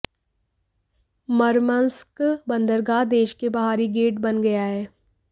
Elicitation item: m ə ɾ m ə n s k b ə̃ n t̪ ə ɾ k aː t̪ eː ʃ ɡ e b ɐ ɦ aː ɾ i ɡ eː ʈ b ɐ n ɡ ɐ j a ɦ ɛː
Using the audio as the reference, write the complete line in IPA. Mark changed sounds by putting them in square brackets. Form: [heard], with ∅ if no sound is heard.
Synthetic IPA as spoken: m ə ɾ m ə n s k b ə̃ n [d̪] ə ɾ [ɡ] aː [d̪] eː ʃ [k] e b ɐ ɦ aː ɾ i ɡ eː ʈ b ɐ n ɡ ɐ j a ɦ ɛː